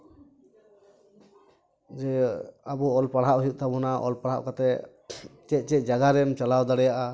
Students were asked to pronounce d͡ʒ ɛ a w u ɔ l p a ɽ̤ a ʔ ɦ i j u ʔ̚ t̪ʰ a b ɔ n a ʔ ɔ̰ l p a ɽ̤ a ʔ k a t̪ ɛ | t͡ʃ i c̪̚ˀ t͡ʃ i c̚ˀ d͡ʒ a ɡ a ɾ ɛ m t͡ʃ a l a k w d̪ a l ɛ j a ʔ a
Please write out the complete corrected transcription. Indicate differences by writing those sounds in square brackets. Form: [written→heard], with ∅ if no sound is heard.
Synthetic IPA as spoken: d͡ʒ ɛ a [w→b] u ɔ l p a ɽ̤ a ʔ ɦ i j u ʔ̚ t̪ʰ a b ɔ n a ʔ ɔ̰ l p a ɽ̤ a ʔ k a t̪ ɛ | t͡ʃ [i→ɛ] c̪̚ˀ t͡ʃ [i→ɛ] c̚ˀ d͡ʒ a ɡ a ɾ ɛ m t͡ʃ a l a [k→∅] w d̪ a [l→ɽ] ɛ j a ʔ a